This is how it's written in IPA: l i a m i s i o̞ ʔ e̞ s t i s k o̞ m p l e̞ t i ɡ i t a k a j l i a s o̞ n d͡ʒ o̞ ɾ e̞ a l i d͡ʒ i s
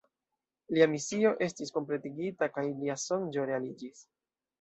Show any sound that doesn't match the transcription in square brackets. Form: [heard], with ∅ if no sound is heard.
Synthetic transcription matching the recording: l i a m i s i o̞ ʔ e̞ s t i s k o̞ m p l e̞ t i ɡ i t a k a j l i a s o̞ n d͡ʒ o̞ ɾ e̞ a l i d͡ʒ i s